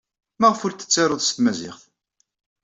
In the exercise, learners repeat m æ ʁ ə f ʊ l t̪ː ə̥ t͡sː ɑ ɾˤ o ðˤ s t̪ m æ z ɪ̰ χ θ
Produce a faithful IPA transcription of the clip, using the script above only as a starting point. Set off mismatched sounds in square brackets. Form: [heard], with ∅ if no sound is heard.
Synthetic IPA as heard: m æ ʁ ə f ʊ [ɾ] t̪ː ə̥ t͡sː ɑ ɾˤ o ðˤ s t̪ m æ z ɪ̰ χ θ